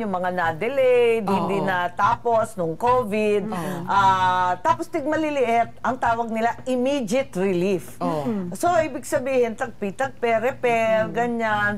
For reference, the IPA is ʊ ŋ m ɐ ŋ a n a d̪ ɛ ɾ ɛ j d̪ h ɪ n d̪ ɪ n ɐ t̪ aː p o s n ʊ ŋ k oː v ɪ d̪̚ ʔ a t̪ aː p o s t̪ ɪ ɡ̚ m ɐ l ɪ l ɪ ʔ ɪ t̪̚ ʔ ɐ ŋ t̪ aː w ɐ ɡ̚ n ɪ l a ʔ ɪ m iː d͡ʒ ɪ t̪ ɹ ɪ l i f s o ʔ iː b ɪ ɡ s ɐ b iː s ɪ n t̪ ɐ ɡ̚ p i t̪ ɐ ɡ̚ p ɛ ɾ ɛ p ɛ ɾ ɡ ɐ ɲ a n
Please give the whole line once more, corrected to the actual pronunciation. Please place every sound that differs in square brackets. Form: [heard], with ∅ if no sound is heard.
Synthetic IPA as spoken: ʊ ŋ m ɐ ŋ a n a d̪ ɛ [l] ɛ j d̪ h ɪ n d̪ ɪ n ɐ t̪ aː p o s n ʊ ŋ k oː v ɪ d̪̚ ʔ a t̪ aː p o s t̪ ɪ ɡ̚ m ɐ l ɪ l ɪ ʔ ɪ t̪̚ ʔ ɐ ŋ t̪ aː w ɐ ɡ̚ n ɪ l a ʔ ɪ m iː d͡ʒ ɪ t̪ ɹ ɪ l i f s o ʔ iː b ɪ ɡ s ɐ b iː [h] ɪ n t̪ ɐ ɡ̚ p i t̪ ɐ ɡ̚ p ɛ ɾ ɛ p ɛ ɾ ɡ ɐ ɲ a n